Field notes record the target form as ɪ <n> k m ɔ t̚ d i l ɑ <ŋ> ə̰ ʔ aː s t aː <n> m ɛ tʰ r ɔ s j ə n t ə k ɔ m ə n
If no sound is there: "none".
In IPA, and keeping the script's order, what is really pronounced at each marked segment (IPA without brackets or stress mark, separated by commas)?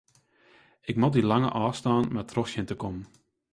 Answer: none, ŋ, n